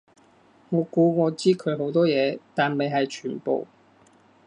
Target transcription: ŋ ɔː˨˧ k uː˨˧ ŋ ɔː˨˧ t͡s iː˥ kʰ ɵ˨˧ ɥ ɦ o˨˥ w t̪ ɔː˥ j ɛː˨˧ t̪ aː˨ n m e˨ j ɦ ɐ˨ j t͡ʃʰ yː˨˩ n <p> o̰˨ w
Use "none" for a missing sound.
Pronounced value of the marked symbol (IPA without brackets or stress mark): p